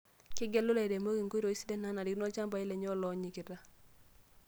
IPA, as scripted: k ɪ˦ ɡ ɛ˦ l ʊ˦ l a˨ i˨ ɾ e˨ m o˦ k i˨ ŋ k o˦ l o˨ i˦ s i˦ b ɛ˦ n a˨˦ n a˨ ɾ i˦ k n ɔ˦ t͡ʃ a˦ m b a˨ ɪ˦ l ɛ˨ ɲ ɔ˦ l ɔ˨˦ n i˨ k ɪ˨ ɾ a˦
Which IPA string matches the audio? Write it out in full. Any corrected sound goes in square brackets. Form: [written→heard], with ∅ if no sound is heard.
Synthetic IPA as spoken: k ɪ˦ ɡ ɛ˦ l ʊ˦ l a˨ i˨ ɾ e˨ m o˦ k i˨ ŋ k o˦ [l→ɾ] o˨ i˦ s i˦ [b→d] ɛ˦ n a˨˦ n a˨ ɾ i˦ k n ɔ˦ t͡ʃ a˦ m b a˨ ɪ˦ l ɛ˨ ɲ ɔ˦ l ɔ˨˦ [n→ɲ] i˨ k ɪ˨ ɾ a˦